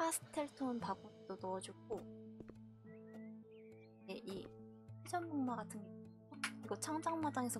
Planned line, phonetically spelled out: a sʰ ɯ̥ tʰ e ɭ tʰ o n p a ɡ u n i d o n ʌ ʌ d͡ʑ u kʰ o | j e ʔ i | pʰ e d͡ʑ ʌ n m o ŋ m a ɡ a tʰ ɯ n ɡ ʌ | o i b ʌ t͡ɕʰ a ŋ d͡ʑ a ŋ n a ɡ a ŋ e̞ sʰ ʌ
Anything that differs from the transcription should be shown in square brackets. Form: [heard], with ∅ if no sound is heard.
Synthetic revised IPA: a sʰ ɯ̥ tʰ e ɭ tʰ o n p a ɡ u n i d o n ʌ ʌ d͡ʑ u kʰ o | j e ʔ i | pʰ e d͡ʑ ʌ n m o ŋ m a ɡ a tʰ ɯ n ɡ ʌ | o i [ɡ] ʌ t͡ɕʰ a ŋ d͡ʑ a ŋ [m] a [d] a ŋ e̞ sʰ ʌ